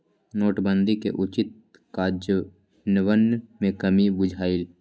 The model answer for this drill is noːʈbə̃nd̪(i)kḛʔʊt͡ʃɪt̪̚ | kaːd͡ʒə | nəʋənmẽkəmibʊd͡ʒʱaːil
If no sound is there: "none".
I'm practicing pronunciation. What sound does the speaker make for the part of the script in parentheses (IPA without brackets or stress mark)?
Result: i